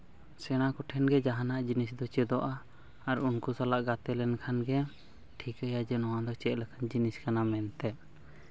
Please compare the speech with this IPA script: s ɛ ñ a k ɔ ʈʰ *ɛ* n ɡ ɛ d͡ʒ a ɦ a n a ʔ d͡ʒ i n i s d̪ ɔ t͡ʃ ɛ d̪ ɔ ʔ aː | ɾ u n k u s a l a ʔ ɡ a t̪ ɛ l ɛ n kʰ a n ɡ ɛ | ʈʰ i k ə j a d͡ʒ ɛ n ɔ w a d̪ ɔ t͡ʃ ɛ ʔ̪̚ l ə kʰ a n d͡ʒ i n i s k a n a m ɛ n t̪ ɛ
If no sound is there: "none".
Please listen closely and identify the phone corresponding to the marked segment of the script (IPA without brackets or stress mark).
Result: ɛ